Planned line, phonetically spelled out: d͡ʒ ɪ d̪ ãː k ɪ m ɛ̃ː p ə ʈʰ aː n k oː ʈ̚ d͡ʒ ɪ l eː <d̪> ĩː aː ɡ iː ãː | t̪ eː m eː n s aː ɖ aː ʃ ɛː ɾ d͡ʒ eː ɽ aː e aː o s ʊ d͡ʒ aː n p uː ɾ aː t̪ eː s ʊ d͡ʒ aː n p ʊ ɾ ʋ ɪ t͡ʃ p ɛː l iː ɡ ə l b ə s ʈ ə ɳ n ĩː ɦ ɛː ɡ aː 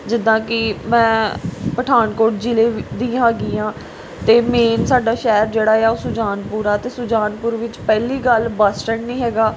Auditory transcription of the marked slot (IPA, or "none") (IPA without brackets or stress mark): d̪